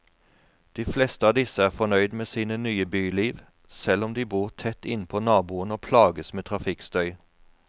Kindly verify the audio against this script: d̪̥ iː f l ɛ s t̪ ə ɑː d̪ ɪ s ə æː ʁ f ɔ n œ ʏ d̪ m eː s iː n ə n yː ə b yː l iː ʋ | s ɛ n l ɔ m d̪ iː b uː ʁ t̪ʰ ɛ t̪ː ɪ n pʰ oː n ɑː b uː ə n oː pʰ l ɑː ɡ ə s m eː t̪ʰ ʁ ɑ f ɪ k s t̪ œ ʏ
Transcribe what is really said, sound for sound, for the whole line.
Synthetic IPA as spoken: d̪̥ iː f l ɛ s t̪ ə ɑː d̪ ɪ s ə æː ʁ f ɔ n œ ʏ d̪ m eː s iː n ə n yː ə b yː l iː ʋ | s ɛ l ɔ m d̪ iː b uː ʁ t̪ʰ ɛ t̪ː ɪ n pʰ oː n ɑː b uː ə n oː pʰ l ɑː ɡ ə s m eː t̪ʰ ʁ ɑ f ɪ k s t̪ œ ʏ

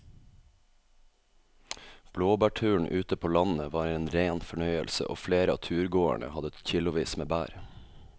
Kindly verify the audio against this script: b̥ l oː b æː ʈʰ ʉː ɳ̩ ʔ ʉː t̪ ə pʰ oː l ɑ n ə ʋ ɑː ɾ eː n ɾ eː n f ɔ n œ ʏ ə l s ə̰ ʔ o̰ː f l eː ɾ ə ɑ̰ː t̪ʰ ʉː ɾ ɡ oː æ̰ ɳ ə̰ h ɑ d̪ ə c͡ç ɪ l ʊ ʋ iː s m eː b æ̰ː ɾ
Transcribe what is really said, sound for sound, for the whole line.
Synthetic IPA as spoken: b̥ l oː b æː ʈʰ ʉː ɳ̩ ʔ ʉː t̪ ə pʰ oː l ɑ n ə ʋ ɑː ɾ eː n ɾ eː n f ɔ ɳ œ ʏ ə l s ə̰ ʔ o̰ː f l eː ɾ ə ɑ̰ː t̪ʰ ʉː ɾ ɡ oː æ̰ ɳ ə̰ h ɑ d̪ ə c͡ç ɪ l ʊ ʋ iː s m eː b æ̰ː ɾ

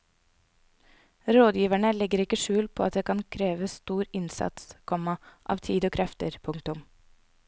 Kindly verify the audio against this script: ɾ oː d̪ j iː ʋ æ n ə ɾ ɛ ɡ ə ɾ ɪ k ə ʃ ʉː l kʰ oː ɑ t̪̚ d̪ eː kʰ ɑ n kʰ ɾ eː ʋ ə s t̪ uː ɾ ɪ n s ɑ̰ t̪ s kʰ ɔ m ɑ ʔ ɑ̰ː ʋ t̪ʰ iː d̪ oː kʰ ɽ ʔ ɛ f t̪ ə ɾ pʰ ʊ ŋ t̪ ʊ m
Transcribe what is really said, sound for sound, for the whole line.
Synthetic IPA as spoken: ɾ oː d̪ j iː ʋ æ ɳ ə l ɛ ɡ ə ɾ ɪ k ə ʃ ʉː l pʰ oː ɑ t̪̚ d̪ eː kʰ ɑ n kʰ ɾ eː ʋ ə s t̪ uː ɾ ɪ n s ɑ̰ t̪ s kʰ ɔ m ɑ ʔ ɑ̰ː ʋ t̪ʰ iː d̪ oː kʰ ɾ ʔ ɛ f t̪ ə ɾ pʰ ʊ ŋ t̪ ʊ m

